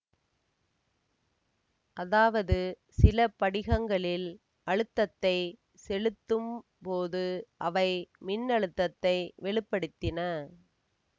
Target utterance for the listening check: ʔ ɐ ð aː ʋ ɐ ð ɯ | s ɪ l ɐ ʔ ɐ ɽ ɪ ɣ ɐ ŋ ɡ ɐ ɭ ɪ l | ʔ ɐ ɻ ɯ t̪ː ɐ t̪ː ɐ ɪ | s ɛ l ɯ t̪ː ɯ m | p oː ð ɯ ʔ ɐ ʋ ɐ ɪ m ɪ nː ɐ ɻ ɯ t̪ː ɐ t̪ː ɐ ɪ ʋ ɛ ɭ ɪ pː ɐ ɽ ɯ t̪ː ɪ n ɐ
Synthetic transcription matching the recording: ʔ ɐ ð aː ʋ ɐ ð ɯ | s ɪ l ɐ p ɐ ɽ ɪ ɣ ɐ ŋ ɡ ɐ ɭ ɪ l | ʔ ɐ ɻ ɯ t̪ː ɐ t̪ː ɐ ɪ | s ɛ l ɯ t̪ː ɯ m | p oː ð ɯ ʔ ɐ ʋ ɐ ɪ m ɪ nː ɐ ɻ ɯ t̪ː ɐ t̪ː ɐ ɪ ʋ ɛ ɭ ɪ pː ɐ ɽ ɯ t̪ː ɪ n ɐ